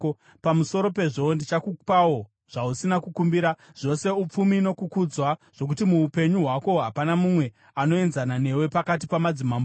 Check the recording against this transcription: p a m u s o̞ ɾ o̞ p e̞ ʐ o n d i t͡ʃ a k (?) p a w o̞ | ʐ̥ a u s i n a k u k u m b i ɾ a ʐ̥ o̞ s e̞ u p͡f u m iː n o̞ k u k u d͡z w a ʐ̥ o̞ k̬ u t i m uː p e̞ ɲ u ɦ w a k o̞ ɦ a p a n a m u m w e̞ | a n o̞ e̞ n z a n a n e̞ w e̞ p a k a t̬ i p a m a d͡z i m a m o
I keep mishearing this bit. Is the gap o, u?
u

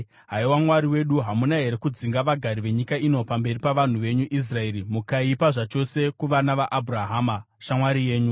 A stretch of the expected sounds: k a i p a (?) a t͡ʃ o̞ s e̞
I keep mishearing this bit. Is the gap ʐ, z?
ʐ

